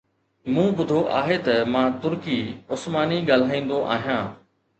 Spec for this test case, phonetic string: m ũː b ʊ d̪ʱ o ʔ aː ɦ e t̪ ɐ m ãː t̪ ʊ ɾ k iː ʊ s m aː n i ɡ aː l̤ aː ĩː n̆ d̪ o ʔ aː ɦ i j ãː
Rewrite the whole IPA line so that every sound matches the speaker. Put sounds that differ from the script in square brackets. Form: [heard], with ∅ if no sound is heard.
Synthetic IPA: m ũː b ʊ d̪ʱ o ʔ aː ɦ e t̪ ɐ m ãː t̪ ʊ ɾ k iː ʊ s m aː n i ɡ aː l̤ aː ĩː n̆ d̪ o ʔ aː ɦ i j ãː